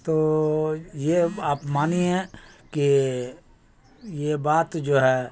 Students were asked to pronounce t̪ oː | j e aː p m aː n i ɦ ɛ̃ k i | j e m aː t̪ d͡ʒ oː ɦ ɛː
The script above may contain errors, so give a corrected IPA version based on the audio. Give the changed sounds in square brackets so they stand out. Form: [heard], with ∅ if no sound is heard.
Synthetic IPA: t̪ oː | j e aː p m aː n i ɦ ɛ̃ k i | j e [b] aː t̪ d͡ʒ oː ɦ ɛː